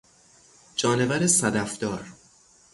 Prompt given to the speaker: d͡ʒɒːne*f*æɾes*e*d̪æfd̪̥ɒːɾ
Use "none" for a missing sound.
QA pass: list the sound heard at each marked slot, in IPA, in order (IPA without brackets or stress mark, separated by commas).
v, æ